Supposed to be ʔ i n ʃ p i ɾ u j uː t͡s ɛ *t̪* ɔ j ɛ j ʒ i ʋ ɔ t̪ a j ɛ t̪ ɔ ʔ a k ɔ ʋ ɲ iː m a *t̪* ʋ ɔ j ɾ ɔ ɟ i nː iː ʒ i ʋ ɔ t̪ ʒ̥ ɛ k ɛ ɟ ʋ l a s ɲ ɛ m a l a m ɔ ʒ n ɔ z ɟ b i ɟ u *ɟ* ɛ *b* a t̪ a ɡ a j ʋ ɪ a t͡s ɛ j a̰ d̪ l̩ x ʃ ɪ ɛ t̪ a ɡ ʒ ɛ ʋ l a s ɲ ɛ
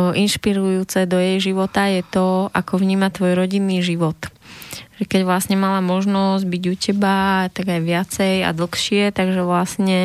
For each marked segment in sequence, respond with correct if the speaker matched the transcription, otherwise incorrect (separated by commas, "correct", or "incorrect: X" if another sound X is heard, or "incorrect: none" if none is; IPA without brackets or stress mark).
incorrect: d̪, correct, incorrect: c, correct